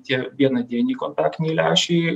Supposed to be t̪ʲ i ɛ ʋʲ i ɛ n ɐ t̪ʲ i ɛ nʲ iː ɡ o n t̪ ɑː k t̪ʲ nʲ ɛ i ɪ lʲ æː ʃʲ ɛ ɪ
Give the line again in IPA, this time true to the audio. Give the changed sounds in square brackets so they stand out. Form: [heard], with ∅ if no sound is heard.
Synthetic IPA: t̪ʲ i ɛ ʋʲ i ɛ n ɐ [d̪ʲ] i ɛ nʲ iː [k] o n t̪ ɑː k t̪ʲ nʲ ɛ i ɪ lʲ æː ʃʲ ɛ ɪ